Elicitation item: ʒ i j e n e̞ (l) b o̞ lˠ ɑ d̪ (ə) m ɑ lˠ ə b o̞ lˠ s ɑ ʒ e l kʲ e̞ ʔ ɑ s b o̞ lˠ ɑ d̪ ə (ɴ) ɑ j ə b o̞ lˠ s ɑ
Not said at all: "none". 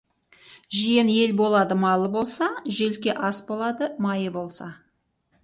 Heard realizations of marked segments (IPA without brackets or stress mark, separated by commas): l, ə, m